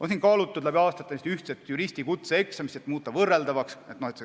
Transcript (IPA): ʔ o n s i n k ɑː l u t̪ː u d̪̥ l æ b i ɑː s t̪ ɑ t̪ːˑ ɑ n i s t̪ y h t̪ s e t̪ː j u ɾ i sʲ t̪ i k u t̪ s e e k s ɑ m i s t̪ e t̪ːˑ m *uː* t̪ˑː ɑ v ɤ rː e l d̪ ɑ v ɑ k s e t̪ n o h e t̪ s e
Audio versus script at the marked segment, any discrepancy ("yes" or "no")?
no